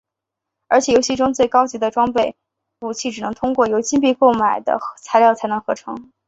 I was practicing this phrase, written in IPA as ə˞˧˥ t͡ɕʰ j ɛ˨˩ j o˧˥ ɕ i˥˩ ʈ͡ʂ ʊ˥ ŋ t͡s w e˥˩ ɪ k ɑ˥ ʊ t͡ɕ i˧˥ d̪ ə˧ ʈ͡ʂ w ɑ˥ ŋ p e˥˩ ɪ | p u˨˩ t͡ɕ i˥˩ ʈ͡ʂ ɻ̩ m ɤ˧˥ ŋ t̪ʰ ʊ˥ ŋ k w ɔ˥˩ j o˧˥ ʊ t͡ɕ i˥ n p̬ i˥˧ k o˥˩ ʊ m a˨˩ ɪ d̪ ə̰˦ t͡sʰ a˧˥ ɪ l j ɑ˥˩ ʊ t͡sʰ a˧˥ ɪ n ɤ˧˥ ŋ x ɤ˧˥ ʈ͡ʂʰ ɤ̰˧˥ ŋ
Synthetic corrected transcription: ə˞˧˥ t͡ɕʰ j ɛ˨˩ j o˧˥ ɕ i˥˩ ʈ͡ʂ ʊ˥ ŋ t͡s w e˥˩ ɪ k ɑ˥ ʊ t͡ɕ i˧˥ d̪ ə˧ ʈ͡ʂ w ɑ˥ ŋ p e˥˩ ɪ | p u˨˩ t͡ɕʰ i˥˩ ʈ͡ʂ ɻ̩ n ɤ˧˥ ŋ t̪ʰ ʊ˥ ŋ k w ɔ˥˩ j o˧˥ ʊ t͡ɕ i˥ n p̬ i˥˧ k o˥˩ ʊ m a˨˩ ɪ d̪ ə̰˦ t͡sʰ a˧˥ ɪ l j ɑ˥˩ ʊ t͡sʰ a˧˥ ɪ n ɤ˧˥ ŋ x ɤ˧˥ ʈ͡ʂʰ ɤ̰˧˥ ŋ